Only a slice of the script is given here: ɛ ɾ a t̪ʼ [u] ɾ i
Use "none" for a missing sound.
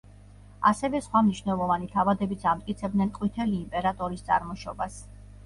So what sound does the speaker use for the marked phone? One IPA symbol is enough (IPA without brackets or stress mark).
ɔ